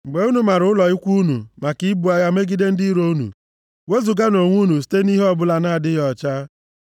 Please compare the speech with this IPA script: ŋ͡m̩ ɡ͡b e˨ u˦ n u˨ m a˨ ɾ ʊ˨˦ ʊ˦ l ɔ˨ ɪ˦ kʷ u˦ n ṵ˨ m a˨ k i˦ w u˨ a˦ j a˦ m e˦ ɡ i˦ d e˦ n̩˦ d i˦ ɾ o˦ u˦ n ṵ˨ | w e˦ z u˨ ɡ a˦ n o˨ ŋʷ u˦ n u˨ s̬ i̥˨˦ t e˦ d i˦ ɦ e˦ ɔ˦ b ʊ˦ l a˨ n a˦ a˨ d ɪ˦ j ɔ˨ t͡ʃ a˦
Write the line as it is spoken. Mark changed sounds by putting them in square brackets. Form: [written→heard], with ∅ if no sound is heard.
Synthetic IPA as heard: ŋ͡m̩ ɡ͡b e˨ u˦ n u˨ m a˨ ɾ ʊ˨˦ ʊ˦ l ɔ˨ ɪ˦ kʷ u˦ n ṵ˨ m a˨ k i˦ [w→b] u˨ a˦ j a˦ m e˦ ɡ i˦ d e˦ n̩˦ d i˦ ɾ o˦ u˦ n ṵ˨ | w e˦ z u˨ ɡ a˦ n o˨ ŋʷ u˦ n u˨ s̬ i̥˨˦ t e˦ [d→n] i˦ ɦ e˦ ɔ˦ b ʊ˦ l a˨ n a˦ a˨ d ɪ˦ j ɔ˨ t͡ʃ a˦